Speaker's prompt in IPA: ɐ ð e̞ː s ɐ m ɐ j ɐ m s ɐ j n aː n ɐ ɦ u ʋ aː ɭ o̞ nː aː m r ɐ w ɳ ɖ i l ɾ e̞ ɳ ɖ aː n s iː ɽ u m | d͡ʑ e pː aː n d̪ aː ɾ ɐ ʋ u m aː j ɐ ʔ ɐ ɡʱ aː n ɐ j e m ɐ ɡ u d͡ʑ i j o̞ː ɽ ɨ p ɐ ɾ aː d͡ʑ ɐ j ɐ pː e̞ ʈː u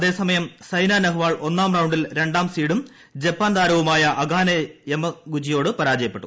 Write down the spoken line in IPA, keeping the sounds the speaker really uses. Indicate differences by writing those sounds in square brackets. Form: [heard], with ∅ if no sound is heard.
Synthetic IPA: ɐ ð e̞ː s ɐ m ɐ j ɐ m s ɐ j n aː n ɐ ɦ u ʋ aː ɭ o̞ nː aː m r ɐ w ɳ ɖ i l ɾ e̞ ɳ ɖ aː [m] s iː ɽ u m | d͡ʑ e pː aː n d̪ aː ɾ ɐ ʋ u m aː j ɐ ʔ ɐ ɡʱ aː n ɐ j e m ɐ ɡ u d͡ʑ i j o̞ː ɽ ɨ p ɐ ɾ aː d͡ʑ ɐ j ɐ pː e̞ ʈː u